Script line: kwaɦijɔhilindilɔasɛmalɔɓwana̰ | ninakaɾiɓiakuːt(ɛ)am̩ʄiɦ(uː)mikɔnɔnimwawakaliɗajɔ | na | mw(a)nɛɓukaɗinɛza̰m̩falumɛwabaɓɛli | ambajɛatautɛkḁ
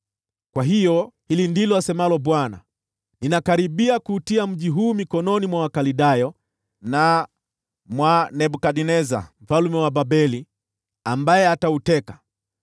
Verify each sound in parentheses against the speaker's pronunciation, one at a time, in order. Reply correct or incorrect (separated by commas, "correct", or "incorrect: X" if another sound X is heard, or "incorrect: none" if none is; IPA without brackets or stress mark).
incorrect: i, correct, correct